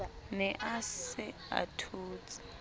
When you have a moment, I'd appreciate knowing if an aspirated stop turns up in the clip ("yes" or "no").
yes